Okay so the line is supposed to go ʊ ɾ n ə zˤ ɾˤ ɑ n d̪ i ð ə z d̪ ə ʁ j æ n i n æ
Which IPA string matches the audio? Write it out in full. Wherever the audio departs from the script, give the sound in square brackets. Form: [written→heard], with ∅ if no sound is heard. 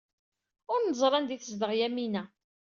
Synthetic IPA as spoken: ʊ ɾ n ə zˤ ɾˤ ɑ n d̪ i [ð→θ] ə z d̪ ə ʁ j æ [n→m] i n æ